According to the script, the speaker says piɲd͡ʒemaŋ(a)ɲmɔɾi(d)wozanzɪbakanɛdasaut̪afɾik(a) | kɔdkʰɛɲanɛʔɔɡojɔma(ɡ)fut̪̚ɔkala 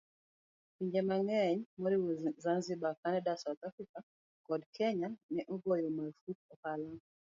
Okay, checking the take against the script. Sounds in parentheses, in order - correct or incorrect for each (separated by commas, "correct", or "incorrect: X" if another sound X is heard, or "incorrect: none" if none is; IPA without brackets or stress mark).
incorrect: ɛ, incorrect: none, correct, incorrect: none